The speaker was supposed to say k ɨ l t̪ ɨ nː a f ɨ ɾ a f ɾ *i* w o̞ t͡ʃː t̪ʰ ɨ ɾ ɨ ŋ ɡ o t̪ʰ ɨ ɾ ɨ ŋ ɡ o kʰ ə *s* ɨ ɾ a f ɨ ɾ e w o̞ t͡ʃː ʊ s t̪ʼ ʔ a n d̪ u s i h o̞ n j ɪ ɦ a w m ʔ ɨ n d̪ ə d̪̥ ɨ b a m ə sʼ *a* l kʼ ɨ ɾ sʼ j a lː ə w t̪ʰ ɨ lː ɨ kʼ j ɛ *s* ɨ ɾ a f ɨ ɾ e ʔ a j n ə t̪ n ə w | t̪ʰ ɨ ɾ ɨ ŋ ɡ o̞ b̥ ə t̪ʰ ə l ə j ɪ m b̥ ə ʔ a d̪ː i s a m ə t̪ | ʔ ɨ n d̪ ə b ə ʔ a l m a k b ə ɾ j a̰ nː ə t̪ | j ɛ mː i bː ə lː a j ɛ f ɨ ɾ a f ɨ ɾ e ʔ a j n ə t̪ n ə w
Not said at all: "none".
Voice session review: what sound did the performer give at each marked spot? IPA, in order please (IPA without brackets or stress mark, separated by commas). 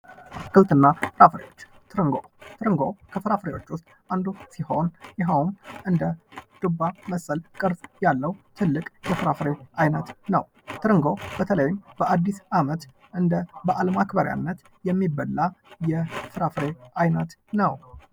e, f, ə, f